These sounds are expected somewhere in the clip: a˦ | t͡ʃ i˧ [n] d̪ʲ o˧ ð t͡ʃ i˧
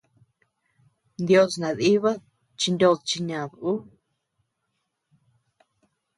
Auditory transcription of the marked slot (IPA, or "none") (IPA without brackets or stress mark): n